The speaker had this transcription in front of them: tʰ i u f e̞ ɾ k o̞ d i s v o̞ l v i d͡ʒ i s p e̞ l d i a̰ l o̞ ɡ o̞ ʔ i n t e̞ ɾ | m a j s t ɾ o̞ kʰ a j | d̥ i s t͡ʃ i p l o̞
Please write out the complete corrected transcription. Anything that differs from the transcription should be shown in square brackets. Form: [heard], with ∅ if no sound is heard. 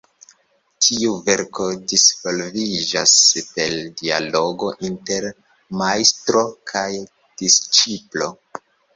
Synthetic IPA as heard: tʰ i u [v] e̞ ɾ k o̞ d i s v o̞ l v i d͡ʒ [a] s p e̞ l d i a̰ l o̞ ɡ o̞ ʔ i n t e̞ ɾ | m a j s t ɾ o̞ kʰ a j | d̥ i s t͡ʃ i p l o̞

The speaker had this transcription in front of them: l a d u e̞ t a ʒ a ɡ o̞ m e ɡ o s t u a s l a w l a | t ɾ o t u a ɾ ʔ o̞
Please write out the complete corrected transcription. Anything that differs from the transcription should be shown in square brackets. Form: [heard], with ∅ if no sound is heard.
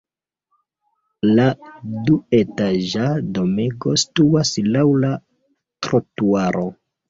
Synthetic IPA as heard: l a d u e̞ t a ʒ a [d] o̞ m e ɡ o s t u a s l a w l a | t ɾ o t u a ɾ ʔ o̞

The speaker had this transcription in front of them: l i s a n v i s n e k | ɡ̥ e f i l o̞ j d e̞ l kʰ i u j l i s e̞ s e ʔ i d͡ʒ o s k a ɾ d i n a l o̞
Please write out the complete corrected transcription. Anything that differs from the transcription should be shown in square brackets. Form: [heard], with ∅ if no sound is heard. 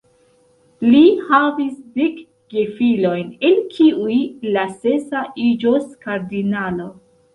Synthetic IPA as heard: l i [h] a [∅] v i s [d] e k | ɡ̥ e f i l o̞ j [n] e̞ l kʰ i u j l [a] s e̞ s [a] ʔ i d͡ʒ o s k a ɾ d i n a l o̞

